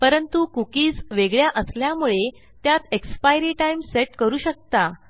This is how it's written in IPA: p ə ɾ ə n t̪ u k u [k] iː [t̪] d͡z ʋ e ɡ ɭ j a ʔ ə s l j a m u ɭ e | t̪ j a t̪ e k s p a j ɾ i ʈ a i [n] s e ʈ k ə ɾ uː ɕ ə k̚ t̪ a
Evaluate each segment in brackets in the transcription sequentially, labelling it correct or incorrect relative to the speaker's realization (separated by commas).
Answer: correct, incorrect, incorrect